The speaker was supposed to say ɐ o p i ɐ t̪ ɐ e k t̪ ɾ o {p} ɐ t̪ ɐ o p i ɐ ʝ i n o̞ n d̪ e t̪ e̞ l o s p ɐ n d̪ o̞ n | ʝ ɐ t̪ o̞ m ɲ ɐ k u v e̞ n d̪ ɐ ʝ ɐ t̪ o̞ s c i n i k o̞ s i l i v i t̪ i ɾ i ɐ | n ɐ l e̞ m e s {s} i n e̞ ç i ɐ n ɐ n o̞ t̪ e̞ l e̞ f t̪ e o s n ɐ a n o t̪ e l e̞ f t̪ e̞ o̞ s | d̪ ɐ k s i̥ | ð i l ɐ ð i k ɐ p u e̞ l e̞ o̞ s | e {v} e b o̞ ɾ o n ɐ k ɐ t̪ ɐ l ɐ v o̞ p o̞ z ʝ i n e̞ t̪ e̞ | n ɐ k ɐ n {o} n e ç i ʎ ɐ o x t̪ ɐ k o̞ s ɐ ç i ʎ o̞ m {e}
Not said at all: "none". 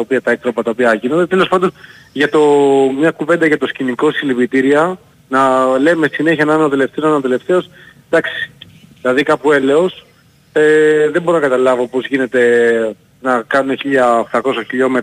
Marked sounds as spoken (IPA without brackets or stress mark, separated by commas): p, s, ð, u, e